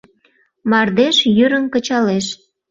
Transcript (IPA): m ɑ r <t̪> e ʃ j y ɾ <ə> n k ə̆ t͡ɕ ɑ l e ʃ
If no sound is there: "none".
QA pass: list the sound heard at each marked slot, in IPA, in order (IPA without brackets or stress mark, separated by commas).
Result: d̪, ə